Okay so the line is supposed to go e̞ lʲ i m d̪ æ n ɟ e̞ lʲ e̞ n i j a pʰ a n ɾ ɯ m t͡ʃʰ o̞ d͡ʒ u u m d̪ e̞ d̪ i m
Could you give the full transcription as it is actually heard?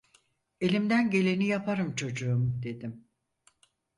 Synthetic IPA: e̞ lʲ i m d̪ æ n ɟ e̞ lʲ e̞ n i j a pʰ a ɾ ɯ m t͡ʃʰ o̞ d͡ʒ u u m d̪ e̞ d̪ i m